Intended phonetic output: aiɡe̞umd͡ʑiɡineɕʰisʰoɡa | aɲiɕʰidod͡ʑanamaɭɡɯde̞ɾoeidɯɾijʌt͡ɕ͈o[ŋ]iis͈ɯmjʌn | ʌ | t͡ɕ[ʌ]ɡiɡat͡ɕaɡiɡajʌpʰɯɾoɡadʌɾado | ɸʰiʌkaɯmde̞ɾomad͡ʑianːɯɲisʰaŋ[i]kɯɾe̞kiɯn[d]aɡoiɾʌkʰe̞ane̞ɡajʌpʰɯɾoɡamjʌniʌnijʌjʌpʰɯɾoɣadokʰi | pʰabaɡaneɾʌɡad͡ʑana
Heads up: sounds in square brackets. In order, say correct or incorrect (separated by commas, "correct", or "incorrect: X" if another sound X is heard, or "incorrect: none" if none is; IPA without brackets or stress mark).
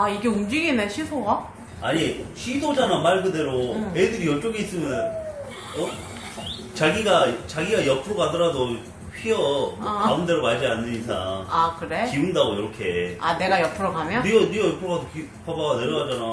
incorrect: ɡ, incorrect: a, incorrect: a, correct